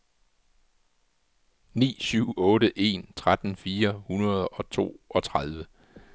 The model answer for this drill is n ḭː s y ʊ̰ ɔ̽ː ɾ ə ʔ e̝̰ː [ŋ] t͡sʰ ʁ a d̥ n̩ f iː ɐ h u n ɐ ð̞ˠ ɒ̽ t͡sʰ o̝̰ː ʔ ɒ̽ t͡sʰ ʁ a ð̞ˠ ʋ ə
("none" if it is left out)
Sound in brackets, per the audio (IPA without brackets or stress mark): n